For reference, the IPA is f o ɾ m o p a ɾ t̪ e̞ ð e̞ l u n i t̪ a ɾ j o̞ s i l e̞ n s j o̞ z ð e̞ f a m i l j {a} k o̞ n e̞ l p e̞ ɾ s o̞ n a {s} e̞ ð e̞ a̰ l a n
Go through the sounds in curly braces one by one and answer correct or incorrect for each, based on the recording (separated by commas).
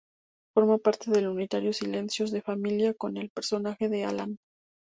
correct, incorrect